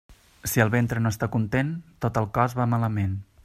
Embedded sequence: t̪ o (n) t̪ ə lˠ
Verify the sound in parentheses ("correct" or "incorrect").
incorrect